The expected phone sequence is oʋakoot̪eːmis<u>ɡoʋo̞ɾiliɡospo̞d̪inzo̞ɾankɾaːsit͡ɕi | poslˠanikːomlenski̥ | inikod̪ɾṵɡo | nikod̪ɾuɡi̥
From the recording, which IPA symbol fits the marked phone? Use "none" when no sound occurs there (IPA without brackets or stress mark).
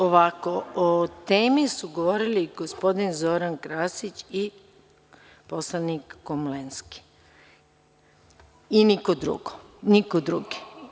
u